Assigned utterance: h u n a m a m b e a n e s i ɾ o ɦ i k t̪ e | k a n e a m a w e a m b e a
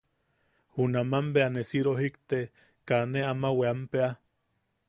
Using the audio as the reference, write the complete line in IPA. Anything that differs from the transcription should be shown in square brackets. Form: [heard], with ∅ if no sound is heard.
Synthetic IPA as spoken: h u n a m a m b e a n e s i ɾ o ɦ i k t̪ e | k a n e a m a w e a m [p] e a